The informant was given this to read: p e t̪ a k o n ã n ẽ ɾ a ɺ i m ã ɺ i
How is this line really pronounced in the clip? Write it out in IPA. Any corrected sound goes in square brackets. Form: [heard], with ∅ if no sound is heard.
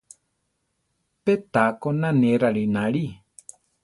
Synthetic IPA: p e t̪ a k o n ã n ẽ ɾ a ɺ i [n] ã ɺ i

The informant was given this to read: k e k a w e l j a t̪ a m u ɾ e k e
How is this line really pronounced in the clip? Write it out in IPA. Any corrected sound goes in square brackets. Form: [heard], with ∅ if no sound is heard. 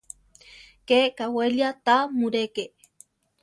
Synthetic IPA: k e k a w e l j a t̪ a m u ɾ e k e

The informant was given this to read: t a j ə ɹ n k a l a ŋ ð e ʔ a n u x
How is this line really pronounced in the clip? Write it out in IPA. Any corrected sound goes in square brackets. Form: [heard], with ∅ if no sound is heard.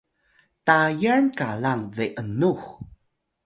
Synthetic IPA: t a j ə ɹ n k a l a ŋ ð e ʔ [ə] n u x

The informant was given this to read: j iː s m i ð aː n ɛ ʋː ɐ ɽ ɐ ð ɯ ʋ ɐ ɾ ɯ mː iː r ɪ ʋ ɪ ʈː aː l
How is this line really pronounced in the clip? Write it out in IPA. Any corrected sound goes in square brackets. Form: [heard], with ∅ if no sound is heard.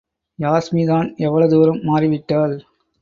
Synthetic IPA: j [aː] s m i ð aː n ɛ ʋː ɐ [ɭ] ɐ ð ɯ ʋ ɐ ɾ ɯ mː [aː] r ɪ ʋ ɪ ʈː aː l

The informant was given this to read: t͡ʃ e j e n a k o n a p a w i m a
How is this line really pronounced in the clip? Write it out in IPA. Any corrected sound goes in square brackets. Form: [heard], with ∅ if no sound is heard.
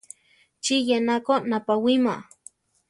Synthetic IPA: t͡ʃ [i] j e n a k o n a p a w i m a

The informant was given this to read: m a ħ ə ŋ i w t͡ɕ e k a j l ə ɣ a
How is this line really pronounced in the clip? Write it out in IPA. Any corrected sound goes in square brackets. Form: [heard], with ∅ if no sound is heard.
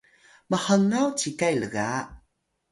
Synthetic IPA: m [ə] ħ ə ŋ [a] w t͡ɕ [i] k a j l ə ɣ a

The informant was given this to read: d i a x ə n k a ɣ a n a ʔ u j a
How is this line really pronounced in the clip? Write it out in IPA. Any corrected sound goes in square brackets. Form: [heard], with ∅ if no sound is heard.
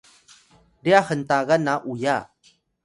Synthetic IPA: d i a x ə n [t] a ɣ a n a ʔ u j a

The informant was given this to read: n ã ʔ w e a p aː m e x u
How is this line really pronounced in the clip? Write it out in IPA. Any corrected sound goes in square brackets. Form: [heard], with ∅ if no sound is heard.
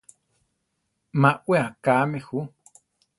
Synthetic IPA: [m] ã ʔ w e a [k] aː m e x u

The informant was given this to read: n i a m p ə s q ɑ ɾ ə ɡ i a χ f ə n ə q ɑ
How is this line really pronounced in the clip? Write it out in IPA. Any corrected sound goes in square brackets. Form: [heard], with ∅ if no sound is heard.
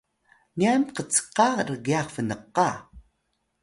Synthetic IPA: n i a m [q] ə [t͡s] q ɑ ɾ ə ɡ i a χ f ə n ə q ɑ

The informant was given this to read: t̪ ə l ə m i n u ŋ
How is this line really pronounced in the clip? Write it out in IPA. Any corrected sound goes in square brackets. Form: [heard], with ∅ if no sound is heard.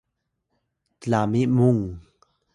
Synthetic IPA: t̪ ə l [a] m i [m] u ŋ

